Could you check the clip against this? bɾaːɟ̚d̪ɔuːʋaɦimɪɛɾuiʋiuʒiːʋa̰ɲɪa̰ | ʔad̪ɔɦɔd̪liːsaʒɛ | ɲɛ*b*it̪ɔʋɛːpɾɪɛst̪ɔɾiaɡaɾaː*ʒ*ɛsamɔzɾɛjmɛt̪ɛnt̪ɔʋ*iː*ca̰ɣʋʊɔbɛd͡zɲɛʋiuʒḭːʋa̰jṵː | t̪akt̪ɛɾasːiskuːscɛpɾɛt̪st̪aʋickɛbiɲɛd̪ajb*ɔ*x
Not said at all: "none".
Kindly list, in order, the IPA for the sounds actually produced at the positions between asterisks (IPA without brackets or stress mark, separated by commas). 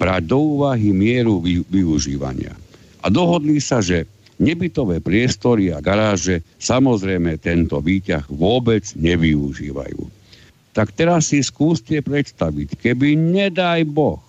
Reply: b, ʒ, iː, ɔ